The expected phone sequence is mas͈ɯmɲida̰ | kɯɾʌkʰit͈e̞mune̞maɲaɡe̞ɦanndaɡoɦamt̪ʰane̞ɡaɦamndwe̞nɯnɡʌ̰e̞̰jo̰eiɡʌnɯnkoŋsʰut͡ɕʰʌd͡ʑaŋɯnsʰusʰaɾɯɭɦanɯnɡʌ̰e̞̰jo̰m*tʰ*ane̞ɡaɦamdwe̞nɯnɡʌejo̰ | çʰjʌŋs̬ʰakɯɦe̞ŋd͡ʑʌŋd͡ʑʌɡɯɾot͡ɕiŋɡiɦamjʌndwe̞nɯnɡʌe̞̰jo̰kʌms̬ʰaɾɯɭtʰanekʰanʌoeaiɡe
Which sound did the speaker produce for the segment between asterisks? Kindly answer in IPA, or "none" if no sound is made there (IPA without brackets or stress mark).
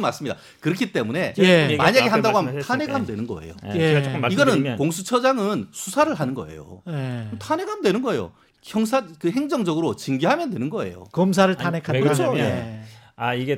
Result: tʰ